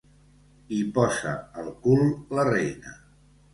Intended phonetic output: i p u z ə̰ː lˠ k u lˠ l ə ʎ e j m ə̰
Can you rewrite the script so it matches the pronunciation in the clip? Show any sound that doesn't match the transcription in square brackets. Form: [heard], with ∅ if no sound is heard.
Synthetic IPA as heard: i p [ɔ] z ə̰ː lˠ k u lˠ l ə [r] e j [n] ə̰